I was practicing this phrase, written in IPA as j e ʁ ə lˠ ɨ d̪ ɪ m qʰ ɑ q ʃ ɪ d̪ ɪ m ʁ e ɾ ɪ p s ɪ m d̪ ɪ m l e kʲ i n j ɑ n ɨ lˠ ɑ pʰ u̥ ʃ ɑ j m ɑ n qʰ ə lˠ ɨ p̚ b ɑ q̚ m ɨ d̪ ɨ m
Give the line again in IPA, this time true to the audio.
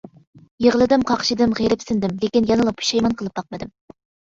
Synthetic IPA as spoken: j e ʁ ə lˠ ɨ d̪ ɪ m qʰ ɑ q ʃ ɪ d̪ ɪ m ʁ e ɾ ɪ p s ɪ n d̪ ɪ m l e kʲ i n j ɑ n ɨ lˠ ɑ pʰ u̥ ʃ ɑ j m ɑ n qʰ ə lˠ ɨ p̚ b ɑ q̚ m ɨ d̪ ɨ m